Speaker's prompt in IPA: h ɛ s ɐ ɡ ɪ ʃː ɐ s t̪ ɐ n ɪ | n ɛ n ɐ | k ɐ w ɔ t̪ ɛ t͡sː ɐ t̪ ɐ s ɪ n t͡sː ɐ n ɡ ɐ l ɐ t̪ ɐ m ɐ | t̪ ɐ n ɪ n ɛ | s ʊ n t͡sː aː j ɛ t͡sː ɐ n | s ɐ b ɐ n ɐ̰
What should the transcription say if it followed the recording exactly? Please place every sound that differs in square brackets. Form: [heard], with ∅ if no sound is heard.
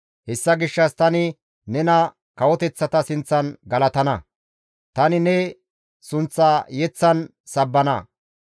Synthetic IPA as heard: h ɛ [sː] ɐ ɡ ɪ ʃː ɐ s t̪ ɐ n ɪ | n ɛ n ɐ | k ɐ w ɔ t̪ ɛ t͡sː ɐ t̪ ɐ s ɪ n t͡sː ɐ n ɡ ɐ l ɐ t̪ ɐ [n] ɐ | t̪ ɐ n ɪ n ɛ | s ʊ n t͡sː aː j ɛ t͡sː ɐ n | s ɐ [bː] ɐ n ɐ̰